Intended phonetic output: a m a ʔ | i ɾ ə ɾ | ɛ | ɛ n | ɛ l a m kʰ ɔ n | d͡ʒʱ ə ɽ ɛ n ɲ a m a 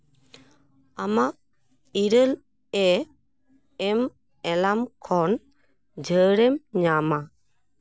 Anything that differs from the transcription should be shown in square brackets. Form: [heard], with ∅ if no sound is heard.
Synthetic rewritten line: a m a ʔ | i ɾ ə [l] | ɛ | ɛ [m] | ɛ l a m kʰ ɔ n | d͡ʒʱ ə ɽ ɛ [m] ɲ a m a